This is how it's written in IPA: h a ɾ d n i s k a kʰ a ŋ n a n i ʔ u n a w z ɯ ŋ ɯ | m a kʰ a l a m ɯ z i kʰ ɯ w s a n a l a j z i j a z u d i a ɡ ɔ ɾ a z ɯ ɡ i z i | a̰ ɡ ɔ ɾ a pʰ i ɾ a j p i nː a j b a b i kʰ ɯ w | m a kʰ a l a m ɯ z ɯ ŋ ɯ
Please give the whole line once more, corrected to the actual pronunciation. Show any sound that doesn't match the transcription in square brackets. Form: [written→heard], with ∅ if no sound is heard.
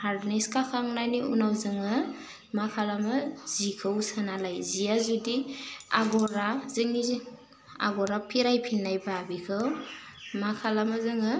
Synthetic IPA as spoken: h a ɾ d n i s k a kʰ a ŋ n a n i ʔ u n a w z ɯ ŋ ɯ | m a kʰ a l a m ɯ z i kʰ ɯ w s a n a l a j z i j a z u d i a ɡ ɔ ɾ a z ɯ [ɡ→ŋ] i z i | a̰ ɡ ɔ ɾ a pʰ i ɾ a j [p→pʰ] i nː a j b a b i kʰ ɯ w | m a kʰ a l a m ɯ z ɯ ŋ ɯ

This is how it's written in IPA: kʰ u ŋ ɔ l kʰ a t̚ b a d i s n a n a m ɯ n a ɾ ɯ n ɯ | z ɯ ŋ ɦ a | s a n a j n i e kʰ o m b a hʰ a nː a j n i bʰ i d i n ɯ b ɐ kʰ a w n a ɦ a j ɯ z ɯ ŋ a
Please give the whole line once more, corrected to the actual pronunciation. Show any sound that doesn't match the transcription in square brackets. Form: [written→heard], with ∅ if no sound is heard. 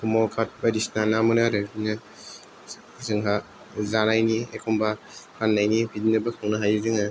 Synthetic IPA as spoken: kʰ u [ŋ→m] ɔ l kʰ a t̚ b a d i s n a n a m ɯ n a ɾ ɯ n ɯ | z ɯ ŋ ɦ a | [s→z] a n a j n i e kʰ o m b a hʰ a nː a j n i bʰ i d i n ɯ b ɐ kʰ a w n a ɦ a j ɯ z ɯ ŋ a

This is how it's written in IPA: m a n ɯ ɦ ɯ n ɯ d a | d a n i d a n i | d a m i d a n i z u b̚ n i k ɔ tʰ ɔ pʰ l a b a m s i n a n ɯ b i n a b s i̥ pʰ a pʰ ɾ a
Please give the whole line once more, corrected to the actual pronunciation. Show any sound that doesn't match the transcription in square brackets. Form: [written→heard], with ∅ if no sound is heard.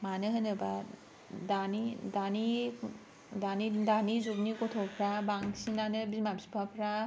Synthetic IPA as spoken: m a n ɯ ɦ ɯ n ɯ [d→b] a | d a n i d a n i | d a [m→n] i d a n i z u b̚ n i k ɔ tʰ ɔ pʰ [l→ɾ] a b a [m→ŋ] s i n a n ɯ b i [n→m] a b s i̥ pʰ a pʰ ɾ a

